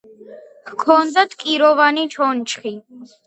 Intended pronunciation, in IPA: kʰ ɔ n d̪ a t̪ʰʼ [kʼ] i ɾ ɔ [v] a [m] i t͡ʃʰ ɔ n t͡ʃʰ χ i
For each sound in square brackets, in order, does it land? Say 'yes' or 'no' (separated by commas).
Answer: yes, yes, no